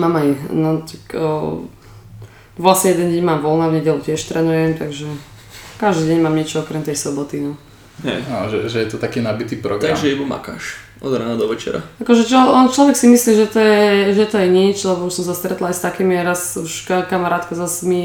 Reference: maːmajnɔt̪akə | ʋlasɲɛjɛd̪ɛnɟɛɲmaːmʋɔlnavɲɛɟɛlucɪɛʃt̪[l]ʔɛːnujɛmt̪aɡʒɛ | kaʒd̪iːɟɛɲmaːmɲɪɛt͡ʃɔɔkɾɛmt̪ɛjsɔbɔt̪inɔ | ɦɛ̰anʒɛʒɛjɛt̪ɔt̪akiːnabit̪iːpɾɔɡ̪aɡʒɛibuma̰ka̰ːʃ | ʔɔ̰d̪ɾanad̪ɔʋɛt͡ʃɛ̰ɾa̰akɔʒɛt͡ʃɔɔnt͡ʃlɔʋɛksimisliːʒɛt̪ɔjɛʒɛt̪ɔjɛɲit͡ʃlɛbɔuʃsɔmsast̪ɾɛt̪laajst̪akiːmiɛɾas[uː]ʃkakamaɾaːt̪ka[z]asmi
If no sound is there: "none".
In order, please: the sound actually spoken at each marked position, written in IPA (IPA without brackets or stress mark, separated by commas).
ɾ, u, z